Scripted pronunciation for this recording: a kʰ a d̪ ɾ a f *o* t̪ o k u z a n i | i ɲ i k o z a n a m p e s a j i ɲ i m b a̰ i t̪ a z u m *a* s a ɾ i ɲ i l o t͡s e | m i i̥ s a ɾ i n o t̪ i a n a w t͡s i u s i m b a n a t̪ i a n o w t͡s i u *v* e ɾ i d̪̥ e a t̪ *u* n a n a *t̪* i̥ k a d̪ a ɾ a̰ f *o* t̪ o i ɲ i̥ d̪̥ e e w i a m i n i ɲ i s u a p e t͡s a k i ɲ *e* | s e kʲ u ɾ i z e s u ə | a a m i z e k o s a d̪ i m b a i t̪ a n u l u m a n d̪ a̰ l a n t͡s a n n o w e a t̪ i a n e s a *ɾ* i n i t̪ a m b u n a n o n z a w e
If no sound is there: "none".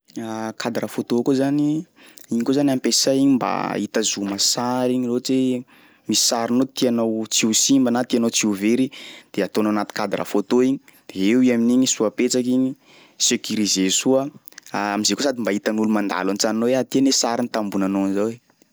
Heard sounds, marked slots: o, a, v, o, t̪, o, i, ɾ

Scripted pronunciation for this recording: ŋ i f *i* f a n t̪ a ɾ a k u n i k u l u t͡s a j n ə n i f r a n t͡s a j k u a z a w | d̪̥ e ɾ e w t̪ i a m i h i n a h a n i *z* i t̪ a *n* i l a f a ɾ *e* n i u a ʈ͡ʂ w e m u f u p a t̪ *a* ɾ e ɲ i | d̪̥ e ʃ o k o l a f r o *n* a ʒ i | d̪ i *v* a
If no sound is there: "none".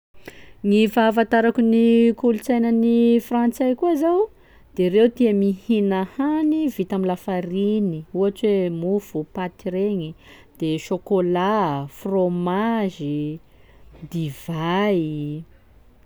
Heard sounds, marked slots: a, v, m, i, i, m, v

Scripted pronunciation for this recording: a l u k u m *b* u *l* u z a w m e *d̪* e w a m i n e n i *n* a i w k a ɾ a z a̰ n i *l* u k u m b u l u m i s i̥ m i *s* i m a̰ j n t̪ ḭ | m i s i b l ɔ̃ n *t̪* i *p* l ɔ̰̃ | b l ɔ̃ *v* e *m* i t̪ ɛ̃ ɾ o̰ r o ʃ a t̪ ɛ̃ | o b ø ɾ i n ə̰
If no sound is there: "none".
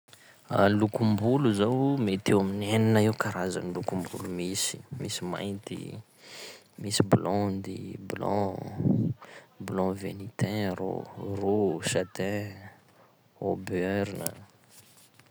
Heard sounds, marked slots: b, l, t̪, n, l, s, d̪, b, v, n

